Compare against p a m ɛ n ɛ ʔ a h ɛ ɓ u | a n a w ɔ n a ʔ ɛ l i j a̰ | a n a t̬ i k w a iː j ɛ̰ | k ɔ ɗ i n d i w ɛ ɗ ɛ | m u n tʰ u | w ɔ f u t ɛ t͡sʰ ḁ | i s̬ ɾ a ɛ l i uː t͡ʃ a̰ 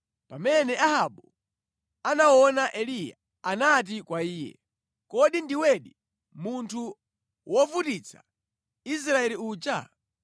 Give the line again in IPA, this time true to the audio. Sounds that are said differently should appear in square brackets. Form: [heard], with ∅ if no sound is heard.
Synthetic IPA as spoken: p a m ɛ n ɛ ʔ a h [a] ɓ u | a n a w ɔ n a ʔ ɛ l i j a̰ | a n a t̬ i k w a iː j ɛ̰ | k ɔ ɗ i n d i w ɛ ɗ [i] | m u n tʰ u | w ɔ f u t [i] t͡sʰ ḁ | i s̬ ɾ a ɛ l i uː t͡ʃ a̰